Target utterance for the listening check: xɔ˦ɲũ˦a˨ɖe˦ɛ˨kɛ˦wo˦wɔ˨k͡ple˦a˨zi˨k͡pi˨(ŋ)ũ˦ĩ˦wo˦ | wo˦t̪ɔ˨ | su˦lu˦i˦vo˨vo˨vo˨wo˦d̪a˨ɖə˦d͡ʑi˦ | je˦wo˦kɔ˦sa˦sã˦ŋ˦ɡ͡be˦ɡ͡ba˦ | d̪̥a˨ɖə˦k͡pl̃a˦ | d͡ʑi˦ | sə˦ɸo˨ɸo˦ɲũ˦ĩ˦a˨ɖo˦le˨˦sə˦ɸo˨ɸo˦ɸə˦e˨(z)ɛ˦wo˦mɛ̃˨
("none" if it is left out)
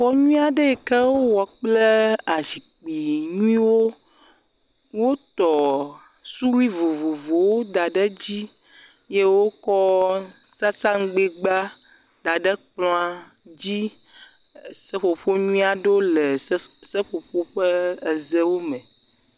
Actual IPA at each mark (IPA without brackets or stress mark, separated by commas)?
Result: ɲ, z